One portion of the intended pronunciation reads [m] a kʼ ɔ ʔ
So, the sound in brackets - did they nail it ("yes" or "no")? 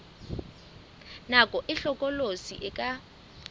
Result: no